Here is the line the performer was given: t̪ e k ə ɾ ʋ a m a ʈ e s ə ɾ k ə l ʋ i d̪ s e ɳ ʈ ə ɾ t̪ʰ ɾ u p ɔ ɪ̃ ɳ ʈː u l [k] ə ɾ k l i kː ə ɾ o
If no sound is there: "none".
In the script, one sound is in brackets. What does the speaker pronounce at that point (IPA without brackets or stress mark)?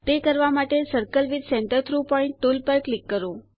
p